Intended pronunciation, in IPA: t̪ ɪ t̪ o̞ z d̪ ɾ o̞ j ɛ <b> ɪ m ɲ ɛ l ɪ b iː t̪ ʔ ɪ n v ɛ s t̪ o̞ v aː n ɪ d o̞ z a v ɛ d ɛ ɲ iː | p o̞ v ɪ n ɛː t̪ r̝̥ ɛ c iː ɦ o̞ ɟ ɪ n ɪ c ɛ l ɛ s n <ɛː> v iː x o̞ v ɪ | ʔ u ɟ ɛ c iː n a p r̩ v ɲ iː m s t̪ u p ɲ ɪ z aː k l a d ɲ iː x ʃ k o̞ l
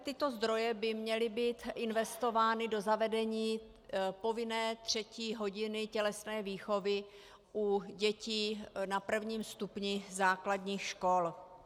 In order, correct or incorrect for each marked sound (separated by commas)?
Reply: correct, correct